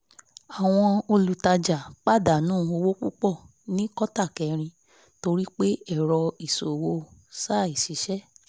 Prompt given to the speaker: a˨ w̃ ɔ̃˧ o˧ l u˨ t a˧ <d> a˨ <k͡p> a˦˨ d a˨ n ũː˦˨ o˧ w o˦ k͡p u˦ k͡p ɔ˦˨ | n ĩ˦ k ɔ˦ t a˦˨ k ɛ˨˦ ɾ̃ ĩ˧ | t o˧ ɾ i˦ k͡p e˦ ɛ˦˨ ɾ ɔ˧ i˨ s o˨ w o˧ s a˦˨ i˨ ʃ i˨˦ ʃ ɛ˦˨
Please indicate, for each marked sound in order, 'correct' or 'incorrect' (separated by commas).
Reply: incorrect, correct